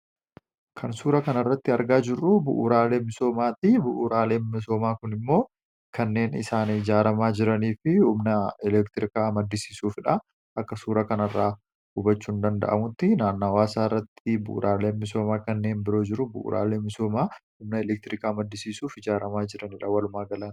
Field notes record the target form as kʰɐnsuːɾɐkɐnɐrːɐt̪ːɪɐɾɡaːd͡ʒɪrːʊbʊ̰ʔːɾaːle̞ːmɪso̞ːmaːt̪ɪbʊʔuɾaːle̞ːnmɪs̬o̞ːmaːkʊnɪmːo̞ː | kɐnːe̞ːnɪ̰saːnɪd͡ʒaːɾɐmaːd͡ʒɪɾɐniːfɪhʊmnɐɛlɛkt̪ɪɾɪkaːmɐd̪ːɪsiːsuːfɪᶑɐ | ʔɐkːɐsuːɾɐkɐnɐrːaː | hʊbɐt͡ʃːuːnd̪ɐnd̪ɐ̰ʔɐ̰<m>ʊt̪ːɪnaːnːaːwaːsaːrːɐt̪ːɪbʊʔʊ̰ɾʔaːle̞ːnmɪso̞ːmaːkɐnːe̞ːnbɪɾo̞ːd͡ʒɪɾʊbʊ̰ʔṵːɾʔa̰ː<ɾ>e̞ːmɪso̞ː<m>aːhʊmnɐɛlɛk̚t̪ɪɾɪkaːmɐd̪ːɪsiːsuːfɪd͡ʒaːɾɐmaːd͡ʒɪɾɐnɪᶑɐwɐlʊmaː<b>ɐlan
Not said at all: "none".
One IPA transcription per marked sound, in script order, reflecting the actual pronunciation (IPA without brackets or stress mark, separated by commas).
m, l, m, ɡ